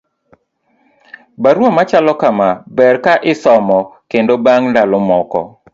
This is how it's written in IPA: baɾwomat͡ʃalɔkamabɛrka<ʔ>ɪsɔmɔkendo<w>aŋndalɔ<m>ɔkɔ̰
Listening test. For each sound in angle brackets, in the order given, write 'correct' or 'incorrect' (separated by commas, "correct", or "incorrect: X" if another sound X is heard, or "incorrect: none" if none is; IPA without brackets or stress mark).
correct, incorrect: b, correct